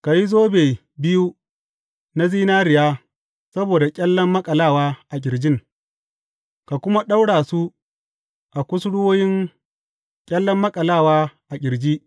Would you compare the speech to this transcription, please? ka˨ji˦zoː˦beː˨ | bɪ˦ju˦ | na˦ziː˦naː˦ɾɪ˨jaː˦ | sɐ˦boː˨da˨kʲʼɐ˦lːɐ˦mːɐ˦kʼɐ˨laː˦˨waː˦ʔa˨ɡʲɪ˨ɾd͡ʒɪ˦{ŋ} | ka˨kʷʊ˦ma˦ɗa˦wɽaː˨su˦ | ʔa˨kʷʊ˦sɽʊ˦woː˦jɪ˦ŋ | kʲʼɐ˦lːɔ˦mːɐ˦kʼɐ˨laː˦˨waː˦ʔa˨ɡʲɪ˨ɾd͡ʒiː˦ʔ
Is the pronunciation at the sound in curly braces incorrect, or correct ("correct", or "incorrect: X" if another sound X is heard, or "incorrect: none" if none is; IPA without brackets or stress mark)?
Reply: correct